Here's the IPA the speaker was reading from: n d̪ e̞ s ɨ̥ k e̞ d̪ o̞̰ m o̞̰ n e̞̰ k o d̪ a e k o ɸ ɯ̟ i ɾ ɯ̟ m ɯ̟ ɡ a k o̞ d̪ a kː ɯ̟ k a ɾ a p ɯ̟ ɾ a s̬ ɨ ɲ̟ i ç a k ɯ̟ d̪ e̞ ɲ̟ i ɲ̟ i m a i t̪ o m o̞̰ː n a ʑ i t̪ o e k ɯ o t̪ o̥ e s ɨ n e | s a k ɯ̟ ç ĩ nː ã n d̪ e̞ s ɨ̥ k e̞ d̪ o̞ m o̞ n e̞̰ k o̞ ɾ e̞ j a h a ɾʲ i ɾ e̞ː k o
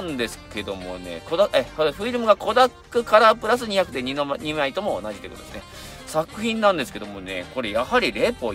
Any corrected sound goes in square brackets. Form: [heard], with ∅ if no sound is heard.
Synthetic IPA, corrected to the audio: n d̪ e̞ s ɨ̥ k e̞ d̪ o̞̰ m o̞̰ n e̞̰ k o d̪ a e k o ɸ ɯ̟ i ɾ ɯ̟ m ɯ̟ ɡ a k o̞ d̪ a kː ɯ̟ k a ɾ a p ɯ̟ ɾ a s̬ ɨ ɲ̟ i ç a k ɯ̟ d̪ e̞ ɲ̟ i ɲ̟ i m a i t̪ o m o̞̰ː n a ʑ i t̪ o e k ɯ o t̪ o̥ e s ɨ n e | s a k ɯ̟ ç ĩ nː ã n d̪ e̞ s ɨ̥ k e̞ d̪ o̞ m o̞ n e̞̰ k o̞ ɾ e̞ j a h a ɾʲ i ɾ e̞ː [p] o